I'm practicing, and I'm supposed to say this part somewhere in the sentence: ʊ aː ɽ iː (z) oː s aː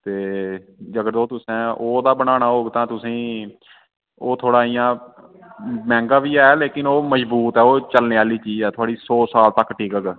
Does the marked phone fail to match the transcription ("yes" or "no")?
yes